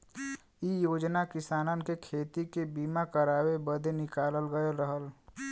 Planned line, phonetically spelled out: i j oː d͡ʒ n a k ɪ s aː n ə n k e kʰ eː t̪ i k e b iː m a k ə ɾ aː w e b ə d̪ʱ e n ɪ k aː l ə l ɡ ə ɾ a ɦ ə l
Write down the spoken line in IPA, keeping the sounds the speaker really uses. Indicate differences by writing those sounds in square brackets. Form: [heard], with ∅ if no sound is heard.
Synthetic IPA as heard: i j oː d͡ʒ n a k ɪ s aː n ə n k e kʰ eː t̪ i k e b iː m a k ə ɾ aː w e b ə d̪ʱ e n ɪ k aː l ə l ɡ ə ɾ [ə] ɦ ə l